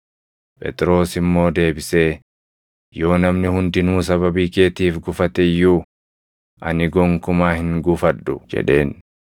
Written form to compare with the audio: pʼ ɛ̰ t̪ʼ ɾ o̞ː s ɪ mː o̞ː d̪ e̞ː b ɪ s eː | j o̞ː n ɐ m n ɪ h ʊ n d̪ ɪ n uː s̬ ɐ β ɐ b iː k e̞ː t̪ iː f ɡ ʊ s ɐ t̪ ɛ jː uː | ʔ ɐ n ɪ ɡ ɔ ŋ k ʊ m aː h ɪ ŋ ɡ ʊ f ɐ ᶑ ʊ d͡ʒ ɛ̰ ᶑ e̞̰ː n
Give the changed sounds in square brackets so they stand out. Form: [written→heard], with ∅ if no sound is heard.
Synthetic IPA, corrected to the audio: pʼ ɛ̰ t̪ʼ ɾ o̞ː s ɪ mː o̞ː d̪ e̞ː b ɪ s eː | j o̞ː n ɐ m n ɪ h ʊ n d̪ ɪ n uː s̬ ɐ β ɐ b iː k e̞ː t̪ iː f ɡ ʊ [s→f] ɐ t̪ ɛ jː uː | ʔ ɐ n ɪ ɡ ɔ ŋ k ʊ m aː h ɪ ŋ ɡ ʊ f ɐ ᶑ ʊ d͡ʒ ɛ̰ ᶑ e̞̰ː n